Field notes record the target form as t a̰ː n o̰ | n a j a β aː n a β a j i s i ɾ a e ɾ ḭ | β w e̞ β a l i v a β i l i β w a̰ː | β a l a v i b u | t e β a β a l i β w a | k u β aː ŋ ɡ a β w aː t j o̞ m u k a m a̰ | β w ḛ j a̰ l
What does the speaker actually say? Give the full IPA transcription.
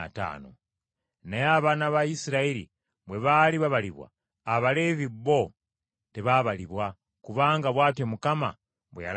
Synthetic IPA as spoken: t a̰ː n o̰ | n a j a β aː n a β a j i s i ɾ a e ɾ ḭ | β w e̞ β a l i β a β a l i β w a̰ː | β a l e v i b o | t e β a β a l i β w a | k u β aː ŋ ɡ a β w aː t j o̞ m u k a m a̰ | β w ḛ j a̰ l